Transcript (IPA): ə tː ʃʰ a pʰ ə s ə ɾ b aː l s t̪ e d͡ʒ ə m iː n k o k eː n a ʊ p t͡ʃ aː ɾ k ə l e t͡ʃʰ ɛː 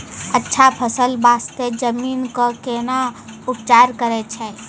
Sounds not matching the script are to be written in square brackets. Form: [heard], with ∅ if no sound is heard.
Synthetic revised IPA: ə tː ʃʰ a pʰ ə s ə [l] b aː [∅] s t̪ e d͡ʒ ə m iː n k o k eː n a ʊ p t͡ʃ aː ɾ k ə [ɾ] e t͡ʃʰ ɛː